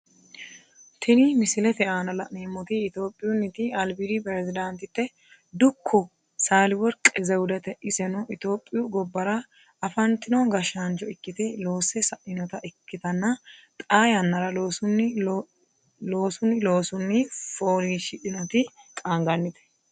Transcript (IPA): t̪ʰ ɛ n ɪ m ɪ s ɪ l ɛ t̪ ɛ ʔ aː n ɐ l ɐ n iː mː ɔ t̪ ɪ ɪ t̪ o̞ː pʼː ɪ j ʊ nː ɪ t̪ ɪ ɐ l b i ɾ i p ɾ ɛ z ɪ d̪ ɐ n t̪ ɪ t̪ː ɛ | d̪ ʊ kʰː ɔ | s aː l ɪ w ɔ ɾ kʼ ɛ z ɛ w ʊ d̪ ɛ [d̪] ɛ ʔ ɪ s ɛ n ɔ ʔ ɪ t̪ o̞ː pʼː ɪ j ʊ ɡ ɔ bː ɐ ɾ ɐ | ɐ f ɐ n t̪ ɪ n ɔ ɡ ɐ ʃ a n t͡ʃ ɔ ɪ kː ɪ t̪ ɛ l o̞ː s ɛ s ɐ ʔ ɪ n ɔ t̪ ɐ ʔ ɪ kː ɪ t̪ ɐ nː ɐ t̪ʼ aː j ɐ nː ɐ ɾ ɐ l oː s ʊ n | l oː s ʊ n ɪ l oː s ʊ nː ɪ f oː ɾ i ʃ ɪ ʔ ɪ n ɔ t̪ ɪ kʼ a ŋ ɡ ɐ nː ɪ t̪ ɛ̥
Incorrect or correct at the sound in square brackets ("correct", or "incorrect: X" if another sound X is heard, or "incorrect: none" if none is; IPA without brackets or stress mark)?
incorrect: t̪